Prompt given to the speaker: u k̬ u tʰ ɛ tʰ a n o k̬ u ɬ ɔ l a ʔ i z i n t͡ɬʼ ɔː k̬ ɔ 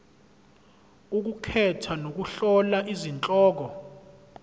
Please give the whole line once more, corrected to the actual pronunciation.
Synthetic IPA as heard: u k̬ u kʰ ɛ tʰ a n o k̬ u ɬ ɔ l a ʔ i z i n t͡ɬʼ ɔː k̬ ɔ